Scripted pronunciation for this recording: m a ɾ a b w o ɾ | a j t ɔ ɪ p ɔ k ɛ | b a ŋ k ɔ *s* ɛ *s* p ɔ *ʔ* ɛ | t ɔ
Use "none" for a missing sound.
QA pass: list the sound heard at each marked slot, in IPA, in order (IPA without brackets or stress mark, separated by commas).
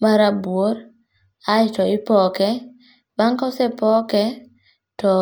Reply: s, none, k